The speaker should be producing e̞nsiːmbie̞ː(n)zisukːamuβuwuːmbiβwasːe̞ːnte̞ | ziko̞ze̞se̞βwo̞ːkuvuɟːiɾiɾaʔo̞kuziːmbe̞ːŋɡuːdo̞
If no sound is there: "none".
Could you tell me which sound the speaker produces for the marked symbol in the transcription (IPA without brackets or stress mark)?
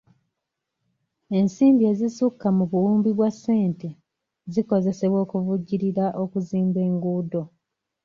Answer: none